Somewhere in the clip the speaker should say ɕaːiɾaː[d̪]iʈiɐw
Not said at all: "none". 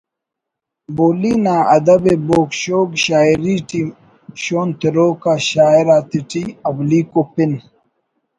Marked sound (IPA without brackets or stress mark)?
t̪